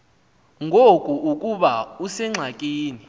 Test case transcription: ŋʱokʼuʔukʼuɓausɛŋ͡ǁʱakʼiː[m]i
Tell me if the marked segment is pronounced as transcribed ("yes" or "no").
no